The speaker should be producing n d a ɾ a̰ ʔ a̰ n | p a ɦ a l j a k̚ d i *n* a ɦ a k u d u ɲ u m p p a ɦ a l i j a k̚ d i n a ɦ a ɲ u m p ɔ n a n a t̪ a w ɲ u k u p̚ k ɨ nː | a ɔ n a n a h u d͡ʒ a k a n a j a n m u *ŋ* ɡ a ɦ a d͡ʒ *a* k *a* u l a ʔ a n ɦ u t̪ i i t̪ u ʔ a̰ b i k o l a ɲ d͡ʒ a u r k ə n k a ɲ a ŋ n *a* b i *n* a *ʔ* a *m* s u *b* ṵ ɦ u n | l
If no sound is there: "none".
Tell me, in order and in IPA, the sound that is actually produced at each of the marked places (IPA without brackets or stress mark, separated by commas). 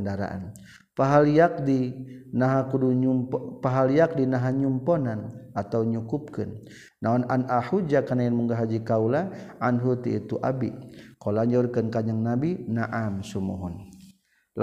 n, ŋ, i, a, a, n, ʔ, m, m